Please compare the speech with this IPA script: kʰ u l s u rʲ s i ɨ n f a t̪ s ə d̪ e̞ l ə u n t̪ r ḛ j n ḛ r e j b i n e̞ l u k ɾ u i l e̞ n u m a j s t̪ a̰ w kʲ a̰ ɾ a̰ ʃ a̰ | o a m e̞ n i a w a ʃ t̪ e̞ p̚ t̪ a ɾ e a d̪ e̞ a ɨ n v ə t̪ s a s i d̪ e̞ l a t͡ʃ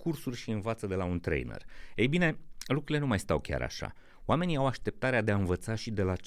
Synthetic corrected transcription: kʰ u r s u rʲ ʃ i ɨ n v a t̪ s ə d̪ e̞ l a u n t̪ ɾ ḛ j n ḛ r e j b i n e̞ l u k ɾ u i l e̞ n u m a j s t̪ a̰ w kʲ a̰ ɾ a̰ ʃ a̰ | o a m e̞ n i a w a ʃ t̪ e̞ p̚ t̪ a ɾ e a d̪ e̞ a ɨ n v ə t̪ s a ʃ i d̪ e̞ l a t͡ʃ